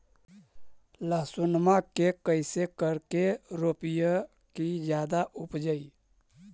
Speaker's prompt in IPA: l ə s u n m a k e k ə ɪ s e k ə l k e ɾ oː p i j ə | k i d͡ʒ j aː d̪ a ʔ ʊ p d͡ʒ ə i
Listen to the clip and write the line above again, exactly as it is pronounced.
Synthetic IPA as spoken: l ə s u n m a k e k ə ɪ s e k ə ɾ k e ɾ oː p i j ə | k i d͡ʒ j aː d̪ a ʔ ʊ p d͡ʒ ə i